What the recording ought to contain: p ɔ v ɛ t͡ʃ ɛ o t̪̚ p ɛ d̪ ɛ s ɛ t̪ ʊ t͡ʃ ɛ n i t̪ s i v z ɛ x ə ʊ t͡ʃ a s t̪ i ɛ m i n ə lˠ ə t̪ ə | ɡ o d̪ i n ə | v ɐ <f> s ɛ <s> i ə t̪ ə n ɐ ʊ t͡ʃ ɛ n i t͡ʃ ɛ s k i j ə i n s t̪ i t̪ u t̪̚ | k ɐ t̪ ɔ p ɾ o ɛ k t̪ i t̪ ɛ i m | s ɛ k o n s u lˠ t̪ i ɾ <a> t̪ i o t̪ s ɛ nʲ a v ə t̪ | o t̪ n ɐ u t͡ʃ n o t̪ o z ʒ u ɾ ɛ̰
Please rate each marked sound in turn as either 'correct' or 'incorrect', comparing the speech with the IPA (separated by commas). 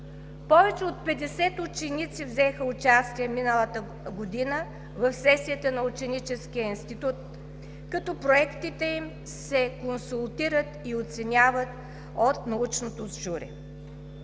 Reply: correct, correct, incorrect